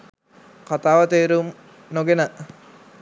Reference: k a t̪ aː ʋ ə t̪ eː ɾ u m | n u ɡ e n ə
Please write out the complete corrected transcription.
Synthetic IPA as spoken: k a t̪ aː ʋ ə t̪ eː ɾ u m | n o ɡ e n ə